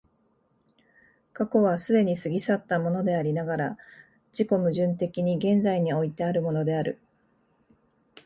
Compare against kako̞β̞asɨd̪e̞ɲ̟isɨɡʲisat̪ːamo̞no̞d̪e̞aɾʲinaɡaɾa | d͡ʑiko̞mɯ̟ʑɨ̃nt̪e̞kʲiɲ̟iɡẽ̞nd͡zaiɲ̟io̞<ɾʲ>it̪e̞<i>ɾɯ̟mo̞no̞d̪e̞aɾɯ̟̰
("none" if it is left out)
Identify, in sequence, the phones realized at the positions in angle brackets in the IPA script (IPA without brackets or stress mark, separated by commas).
none, a